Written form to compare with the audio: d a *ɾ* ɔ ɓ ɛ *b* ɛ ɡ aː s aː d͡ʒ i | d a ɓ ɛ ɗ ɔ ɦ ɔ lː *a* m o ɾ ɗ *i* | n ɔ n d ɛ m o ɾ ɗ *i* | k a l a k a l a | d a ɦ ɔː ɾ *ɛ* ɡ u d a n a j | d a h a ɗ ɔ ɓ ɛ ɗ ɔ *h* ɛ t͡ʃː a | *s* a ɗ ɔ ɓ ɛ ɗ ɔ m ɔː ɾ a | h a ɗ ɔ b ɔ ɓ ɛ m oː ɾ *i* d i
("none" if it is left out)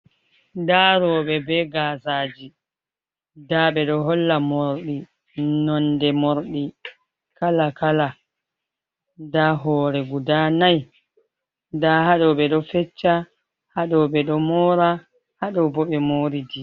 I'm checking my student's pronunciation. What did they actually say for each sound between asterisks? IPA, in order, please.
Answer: ɾ, b, a, i, i, ɛ, f, h, i

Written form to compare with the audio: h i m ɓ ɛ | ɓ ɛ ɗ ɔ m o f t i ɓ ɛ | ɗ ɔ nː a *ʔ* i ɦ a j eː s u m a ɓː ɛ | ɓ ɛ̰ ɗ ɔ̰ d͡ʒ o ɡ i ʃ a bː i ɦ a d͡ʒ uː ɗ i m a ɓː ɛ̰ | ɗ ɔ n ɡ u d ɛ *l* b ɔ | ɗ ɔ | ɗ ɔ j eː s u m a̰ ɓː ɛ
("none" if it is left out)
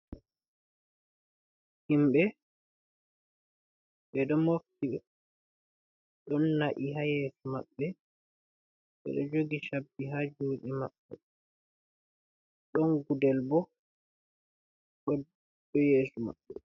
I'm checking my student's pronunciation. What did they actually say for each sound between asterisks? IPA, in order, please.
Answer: ʔ, l

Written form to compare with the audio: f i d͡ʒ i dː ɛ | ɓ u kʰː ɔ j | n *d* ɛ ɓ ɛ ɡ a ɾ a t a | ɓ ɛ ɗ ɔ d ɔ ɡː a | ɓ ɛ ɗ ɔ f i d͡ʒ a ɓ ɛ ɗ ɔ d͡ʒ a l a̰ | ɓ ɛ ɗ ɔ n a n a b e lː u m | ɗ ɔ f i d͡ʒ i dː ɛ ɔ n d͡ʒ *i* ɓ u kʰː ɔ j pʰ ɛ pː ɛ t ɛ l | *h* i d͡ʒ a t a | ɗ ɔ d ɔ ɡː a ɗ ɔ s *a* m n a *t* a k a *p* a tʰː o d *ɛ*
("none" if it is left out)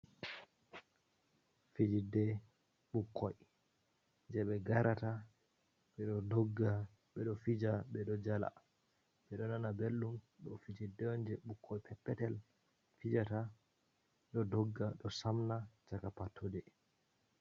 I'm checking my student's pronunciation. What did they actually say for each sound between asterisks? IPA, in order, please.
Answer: d͡ʒ, ɛ, f, a, t͡ʃ, p, ɛ

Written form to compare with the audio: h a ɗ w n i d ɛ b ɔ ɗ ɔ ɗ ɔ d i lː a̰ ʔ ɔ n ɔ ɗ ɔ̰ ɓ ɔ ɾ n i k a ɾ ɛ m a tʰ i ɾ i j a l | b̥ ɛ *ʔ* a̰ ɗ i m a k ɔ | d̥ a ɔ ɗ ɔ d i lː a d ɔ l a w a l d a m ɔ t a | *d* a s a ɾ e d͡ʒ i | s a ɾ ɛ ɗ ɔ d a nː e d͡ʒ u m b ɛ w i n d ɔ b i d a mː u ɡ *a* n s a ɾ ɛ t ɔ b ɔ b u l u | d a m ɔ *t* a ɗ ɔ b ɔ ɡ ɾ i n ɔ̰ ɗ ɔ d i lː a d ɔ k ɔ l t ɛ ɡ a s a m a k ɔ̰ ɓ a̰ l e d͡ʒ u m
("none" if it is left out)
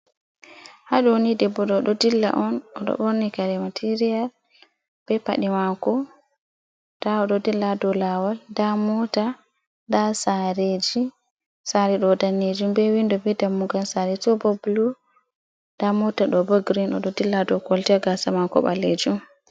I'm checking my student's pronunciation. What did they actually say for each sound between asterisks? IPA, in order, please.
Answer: p, d, a, t

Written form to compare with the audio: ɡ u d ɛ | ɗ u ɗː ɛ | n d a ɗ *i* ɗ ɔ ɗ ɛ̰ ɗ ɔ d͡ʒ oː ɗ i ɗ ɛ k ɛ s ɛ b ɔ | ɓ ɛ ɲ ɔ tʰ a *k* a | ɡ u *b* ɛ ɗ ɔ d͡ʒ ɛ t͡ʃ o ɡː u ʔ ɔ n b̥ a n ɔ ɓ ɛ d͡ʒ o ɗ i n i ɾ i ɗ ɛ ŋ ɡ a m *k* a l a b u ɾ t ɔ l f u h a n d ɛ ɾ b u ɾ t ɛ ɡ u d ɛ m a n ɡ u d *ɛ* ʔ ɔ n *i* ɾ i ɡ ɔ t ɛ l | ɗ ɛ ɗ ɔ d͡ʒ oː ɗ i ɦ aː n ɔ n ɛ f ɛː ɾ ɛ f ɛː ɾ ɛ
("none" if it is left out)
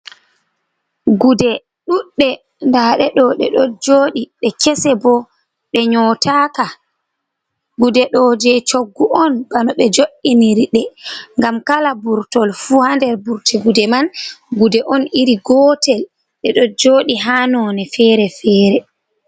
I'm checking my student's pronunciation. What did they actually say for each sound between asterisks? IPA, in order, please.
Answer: ɛ, k, d, k, ɛ, i

